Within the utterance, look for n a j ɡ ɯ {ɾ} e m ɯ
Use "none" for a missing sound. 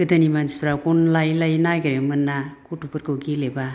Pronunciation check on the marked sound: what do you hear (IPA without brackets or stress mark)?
ɾ